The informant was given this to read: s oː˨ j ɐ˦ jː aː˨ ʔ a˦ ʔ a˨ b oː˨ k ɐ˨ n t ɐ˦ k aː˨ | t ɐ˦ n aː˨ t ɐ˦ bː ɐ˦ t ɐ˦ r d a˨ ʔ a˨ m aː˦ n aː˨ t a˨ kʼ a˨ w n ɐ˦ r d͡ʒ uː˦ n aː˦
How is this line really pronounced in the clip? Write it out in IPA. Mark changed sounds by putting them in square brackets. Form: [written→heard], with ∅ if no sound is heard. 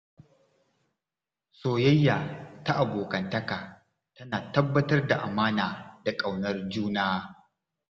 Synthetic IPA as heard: s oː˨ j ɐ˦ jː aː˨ [ʔ→t] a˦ ʔ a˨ b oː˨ k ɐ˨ n t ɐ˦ k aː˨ | t ɐ˦ n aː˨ t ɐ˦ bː ɐ˦ t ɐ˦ r d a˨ ʔ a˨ m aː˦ n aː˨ [t→d] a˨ kʼ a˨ w n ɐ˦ r d͡ʒ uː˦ n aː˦